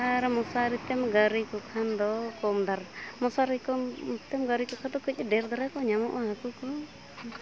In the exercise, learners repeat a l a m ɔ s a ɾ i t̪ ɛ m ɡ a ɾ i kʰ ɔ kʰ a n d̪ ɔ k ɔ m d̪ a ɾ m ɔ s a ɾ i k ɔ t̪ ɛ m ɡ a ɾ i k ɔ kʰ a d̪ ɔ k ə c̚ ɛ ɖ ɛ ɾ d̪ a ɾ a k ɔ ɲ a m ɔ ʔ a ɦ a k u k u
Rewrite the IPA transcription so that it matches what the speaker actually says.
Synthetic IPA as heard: a ɾ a m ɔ s a ɾ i t̪ ɛ m ɡ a ɾ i k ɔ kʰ a n d̪ ɔ k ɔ m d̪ a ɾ m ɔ s a ɾ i k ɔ t̪ ɛ m ɡ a ɾ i k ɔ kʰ a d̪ ɔ k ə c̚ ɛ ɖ ɛ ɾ d̪ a ɾ a k ɔ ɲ a m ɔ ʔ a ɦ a k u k ɔ